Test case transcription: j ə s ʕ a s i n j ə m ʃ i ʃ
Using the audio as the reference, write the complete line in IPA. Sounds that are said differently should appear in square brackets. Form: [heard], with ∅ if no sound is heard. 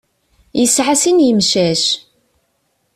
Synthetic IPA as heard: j ə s ʕ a s i n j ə m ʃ [æ] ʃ